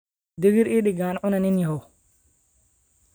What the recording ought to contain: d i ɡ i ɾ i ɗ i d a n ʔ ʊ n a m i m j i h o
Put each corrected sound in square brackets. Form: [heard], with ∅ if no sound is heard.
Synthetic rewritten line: d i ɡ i ɾ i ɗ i [ɡ] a n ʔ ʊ n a [n] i [n] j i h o